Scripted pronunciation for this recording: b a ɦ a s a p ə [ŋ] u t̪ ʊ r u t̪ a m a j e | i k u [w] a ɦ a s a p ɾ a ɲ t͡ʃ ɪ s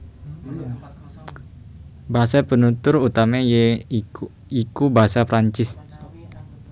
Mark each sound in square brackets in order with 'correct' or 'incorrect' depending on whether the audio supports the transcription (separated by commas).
incorrect, incorrect